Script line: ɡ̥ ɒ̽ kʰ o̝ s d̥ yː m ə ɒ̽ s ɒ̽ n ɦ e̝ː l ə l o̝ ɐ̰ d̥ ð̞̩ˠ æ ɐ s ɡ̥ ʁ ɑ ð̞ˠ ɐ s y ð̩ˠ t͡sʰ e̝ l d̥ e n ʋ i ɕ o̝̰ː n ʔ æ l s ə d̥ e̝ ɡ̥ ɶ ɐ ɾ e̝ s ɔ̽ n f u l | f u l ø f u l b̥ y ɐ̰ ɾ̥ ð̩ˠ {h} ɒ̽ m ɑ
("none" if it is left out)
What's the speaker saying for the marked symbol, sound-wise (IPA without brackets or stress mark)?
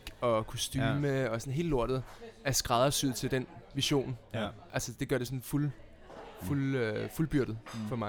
f